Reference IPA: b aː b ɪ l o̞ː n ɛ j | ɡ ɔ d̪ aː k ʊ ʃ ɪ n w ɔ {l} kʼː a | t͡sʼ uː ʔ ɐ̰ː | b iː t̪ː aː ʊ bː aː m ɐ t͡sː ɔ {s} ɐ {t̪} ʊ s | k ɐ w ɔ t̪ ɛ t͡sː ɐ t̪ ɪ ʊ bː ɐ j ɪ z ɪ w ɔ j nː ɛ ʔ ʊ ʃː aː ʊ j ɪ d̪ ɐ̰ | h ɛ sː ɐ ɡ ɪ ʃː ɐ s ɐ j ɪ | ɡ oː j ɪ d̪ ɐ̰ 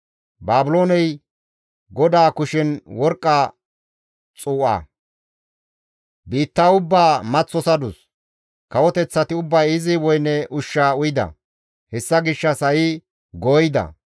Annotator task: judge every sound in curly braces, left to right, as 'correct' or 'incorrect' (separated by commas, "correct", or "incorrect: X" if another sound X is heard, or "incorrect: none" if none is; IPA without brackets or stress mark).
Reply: incorrect: ɾ, correct, incorrect: d̪